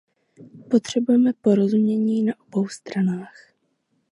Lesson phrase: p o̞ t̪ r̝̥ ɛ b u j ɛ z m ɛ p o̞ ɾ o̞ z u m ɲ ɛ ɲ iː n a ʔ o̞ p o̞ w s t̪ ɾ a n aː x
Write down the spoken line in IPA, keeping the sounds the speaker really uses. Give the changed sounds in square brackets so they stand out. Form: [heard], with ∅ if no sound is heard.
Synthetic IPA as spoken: p o̞ t̪ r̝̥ ɛ b u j ɛ [∅] m ɛ p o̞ ɾ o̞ z u m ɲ ɛ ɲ iː n a ʔ o̞ [b] o̞ w s t̪ ɾ a n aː x

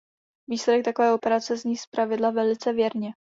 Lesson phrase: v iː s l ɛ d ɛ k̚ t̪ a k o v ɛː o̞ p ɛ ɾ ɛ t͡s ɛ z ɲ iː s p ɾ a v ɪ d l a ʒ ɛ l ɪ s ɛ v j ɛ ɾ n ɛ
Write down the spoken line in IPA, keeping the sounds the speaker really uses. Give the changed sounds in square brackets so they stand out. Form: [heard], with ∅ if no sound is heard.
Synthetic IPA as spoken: v iː s l ɛ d ɛ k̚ t̪ a k o v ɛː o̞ p ɛ ɾ [a] t͡s ɛ z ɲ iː s p ɾ a v ɪ d l a [v] ɛ l ɪ [t͡s] ɛ v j ɛ ɾ [ɲ] ɛ

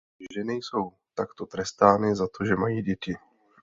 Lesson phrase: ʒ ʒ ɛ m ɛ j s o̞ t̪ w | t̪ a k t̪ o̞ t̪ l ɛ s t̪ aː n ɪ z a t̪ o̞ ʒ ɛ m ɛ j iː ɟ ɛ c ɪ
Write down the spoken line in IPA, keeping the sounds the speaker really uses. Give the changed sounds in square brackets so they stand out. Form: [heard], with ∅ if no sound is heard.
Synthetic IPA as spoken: ʒ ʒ ɛ [n] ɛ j s o̞ [∅] w | t̪ a k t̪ o̞ t̪ [ɾ] ɛ s t̪ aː n ɪ z a t̪ o̞ ʒ ɛ m [a] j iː ɟ ɛ c ɪ

